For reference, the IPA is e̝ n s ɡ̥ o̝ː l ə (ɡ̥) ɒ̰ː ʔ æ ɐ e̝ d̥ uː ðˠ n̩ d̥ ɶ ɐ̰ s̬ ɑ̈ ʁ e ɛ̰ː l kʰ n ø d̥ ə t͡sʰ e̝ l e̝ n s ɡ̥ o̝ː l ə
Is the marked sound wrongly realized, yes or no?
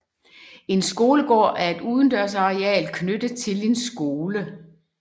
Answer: no